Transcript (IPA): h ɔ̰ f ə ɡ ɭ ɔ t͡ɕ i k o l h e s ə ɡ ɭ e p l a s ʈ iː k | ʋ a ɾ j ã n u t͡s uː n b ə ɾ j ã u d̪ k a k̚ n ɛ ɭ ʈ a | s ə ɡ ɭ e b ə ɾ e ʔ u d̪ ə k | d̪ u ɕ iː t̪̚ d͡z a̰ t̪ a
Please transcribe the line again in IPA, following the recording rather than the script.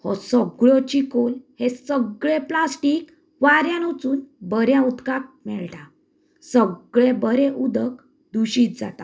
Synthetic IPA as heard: h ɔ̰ s ə ɡ ɭ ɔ t͡ɕ i k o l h e s ə ɡ ɭ e p l a s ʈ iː k | ʋ a ɾ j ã n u t͡s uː n b ə ɾ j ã u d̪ k a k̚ m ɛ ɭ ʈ a | s ə ɡ ɭ e b ə ɾ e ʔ u d̪ ə k | d̪ u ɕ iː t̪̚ d͡z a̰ t̪ a